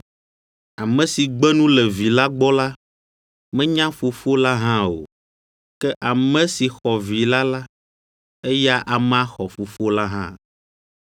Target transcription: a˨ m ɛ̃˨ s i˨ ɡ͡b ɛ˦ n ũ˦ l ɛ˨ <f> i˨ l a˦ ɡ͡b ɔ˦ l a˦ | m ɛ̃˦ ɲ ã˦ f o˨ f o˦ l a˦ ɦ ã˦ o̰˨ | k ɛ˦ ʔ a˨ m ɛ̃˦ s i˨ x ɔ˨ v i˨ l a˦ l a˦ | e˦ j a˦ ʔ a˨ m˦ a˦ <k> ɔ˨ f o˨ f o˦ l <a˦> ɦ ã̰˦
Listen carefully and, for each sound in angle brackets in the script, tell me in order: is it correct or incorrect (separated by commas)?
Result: incorrect, incorrect, correct